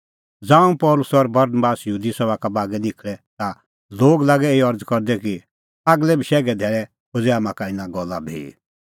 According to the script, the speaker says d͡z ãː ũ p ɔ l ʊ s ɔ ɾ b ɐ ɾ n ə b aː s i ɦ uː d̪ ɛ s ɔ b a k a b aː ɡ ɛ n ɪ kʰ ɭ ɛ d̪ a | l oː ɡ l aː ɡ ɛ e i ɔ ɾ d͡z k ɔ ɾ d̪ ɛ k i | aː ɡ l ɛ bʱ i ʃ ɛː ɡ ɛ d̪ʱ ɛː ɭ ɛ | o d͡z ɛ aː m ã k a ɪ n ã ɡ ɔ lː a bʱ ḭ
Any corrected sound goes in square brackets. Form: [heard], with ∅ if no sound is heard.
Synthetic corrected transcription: d͡z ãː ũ p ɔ l ʊ s ɔ ɾ b ɐ ɾ n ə b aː s [j] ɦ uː d̪ [i] s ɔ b a k a b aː ɡ ɛ n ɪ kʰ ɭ ɛ [t̪] a | l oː ɡ l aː ɡ ɛ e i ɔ ɾ d͡z k ɔ ɾ d̪ ɛ k i | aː ɡ l ɛ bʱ i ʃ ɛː ɡ ɛ d̪ʱ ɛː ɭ ɛ | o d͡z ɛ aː m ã k a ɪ n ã ɡ ɔ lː a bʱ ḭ